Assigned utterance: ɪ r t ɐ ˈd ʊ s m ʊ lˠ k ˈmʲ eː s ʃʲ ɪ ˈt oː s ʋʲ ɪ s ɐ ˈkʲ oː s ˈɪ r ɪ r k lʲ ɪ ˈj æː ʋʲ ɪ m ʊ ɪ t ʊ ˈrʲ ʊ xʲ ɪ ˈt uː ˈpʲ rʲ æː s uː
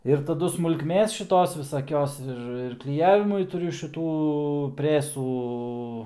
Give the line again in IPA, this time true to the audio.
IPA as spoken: ɪ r t ɐ ˈd ʊ s m ʊ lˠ k ˈmʲ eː s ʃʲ ɪ ˈt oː s ʋʲ ɪ s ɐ ˈkʲ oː s ˈɪ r ɪ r k lʲ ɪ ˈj æː ʋʲ ɪ m ʊ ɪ t ʊ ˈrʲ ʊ ʃʲ ɪ ˈt uː ˈpʲ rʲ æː s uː